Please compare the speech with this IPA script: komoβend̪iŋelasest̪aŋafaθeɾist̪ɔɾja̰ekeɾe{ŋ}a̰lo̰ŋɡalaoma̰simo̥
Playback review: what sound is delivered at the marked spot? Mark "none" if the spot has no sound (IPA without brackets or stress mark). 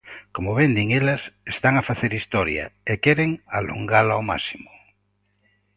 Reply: ŋ